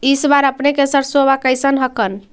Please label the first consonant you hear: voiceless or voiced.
voiceless